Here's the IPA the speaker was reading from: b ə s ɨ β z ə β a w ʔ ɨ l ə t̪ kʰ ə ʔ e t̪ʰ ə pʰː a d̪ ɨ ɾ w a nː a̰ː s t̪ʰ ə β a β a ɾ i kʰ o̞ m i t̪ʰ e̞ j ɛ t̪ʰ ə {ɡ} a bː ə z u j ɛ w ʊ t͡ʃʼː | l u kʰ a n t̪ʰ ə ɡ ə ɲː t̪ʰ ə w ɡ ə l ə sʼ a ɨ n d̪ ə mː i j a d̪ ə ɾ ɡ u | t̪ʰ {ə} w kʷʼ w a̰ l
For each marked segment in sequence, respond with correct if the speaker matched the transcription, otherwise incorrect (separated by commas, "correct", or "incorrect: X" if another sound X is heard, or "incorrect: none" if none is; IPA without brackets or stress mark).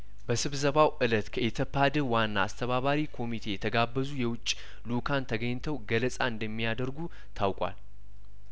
correct, incorrect: a